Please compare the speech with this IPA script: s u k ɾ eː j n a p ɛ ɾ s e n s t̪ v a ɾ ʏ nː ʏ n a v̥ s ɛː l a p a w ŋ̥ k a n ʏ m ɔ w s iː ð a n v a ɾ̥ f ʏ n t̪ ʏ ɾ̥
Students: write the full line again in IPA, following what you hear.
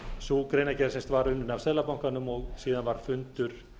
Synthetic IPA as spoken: s u k ɾ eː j n a c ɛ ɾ s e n s t̪ v a ɾ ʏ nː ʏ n a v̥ s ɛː l a p a w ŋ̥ k a n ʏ m ɔ ɣ s iː ð a n v a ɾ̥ f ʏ n t̪ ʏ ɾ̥